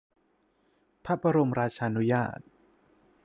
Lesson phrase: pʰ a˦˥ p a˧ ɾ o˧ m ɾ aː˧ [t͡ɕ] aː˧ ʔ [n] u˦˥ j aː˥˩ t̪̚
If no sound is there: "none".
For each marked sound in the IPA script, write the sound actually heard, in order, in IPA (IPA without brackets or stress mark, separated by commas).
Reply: t͡ɕʰ, n